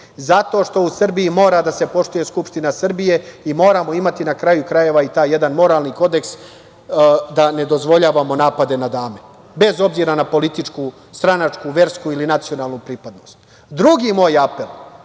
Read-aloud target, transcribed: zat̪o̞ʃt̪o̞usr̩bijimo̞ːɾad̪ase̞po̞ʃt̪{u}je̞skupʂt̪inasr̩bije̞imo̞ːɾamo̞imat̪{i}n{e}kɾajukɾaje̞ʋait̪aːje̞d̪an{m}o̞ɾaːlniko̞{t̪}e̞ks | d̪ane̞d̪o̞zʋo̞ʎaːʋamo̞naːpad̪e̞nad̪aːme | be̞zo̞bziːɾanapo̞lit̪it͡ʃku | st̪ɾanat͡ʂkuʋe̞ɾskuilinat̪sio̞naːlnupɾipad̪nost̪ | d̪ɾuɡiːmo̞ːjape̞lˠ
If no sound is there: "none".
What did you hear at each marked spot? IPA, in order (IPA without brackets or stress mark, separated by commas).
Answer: u, i, a, m, d̪